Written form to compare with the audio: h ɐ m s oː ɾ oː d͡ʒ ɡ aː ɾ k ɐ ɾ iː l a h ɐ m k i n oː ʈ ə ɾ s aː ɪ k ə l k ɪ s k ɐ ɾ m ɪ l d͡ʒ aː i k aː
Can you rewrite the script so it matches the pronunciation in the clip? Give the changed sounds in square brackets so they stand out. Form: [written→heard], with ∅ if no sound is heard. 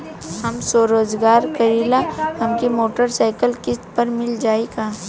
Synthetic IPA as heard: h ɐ m s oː ɾ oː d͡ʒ ɡ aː ɾ k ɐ ɾ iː l a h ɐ m k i [n→m] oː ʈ ə ɾ s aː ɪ k ə l k ɪ s [k→p] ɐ ɾ m ɪ l d͡ʒ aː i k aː